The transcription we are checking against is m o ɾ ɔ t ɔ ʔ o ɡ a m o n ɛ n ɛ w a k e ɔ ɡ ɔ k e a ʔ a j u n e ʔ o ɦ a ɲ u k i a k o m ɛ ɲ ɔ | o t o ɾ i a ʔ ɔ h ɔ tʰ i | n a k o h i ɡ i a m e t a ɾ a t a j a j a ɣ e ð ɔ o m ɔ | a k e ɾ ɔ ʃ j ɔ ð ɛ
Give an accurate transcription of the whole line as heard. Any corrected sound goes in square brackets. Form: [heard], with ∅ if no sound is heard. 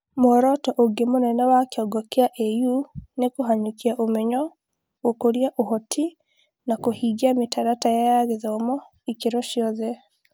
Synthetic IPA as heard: m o ɾ ɔ t ɔ ʔ o ɡ [e] m o n ɛ n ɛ w a k e ɔ ɡ ɔ k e a ʔ [e] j u n e [k] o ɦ a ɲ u k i a [ʔ] o m ɛ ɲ ɔ | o [k] o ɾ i a ʔ [o] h ɔ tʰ i | n a k o h i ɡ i a m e t a ɾ a t a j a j a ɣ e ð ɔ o m ɔ | [i] k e ɾ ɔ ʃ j ɔ ð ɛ